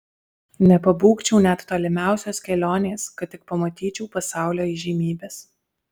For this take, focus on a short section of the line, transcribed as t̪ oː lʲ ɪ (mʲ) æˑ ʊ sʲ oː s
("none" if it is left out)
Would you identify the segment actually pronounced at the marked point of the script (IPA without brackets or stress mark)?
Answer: mʲ